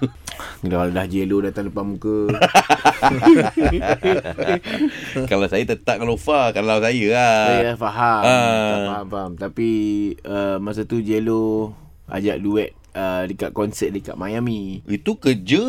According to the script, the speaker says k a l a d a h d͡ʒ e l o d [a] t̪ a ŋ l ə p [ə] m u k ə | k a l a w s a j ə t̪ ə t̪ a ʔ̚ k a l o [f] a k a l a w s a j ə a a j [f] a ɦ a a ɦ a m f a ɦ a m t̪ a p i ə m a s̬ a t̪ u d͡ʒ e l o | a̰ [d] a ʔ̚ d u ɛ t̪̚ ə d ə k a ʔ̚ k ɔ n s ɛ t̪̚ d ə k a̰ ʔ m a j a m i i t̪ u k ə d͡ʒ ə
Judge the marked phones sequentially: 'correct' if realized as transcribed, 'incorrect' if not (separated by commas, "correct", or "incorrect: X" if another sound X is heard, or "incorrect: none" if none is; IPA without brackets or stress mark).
correct, incorrect: a, correct, correct, incorrect: d͡ʒ